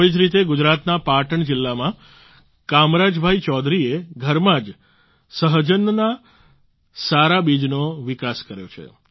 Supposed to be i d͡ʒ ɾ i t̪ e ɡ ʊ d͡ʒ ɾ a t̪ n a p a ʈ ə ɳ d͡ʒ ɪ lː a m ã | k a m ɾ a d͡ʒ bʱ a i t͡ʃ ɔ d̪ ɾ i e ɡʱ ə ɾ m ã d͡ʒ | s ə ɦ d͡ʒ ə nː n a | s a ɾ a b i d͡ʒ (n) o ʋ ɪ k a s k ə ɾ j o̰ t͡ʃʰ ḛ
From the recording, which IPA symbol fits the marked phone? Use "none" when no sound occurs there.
n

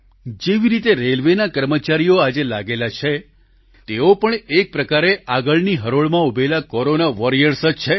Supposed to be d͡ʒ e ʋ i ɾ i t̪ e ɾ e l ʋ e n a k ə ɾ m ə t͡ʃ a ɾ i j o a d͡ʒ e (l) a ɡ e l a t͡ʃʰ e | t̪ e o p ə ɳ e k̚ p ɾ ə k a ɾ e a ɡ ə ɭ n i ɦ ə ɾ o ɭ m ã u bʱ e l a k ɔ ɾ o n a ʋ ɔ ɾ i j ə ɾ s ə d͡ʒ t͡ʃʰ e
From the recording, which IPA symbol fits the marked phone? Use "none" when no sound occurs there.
l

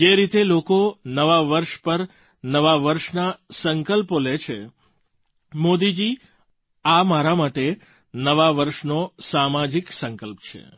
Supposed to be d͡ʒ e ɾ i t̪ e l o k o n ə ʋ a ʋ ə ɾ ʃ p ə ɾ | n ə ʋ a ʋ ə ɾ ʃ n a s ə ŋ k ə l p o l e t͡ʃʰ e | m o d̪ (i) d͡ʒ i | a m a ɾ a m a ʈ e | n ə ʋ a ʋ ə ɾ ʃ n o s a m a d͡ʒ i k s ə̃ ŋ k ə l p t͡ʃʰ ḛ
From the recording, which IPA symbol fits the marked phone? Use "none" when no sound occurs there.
i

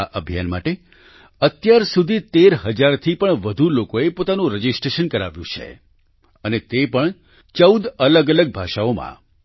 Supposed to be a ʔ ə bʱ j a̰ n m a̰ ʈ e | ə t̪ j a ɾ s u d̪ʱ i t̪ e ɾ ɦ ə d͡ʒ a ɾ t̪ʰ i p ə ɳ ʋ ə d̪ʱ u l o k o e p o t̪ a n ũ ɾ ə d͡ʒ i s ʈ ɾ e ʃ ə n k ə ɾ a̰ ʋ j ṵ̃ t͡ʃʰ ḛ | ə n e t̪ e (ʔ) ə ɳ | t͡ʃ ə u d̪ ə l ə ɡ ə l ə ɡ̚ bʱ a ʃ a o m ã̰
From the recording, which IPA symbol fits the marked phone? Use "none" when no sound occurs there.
p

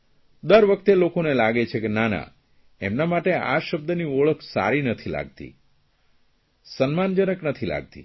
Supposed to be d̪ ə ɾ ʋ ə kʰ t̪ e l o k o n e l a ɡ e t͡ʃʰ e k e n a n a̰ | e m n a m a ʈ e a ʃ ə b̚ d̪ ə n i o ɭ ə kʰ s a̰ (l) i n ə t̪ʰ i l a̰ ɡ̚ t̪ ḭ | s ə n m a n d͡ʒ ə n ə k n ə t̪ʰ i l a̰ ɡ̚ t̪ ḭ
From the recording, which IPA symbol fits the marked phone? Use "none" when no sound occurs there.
ɾ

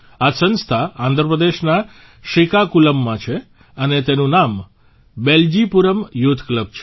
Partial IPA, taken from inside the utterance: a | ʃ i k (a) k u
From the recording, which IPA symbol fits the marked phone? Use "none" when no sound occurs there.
a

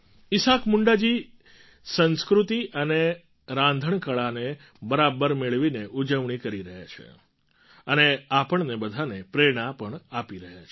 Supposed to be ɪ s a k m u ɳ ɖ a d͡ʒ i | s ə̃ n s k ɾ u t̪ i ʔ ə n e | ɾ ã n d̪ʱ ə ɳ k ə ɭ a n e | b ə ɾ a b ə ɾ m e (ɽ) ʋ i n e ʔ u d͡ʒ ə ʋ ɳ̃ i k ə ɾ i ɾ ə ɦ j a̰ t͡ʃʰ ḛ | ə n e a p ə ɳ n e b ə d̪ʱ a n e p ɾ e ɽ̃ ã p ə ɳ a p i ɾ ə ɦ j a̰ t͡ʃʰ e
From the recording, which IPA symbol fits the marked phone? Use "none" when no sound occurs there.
ɭ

